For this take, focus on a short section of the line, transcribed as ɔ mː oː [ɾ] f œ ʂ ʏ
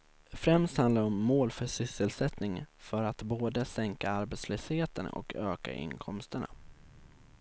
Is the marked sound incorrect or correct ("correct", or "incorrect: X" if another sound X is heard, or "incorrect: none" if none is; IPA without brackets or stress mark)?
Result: incorrect: l